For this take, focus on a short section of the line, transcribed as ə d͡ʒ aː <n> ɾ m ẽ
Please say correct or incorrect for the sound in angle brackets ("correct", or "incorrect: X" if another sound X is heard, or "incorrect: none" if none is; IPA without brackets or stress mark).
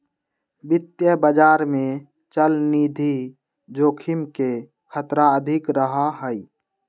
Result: incorrect: none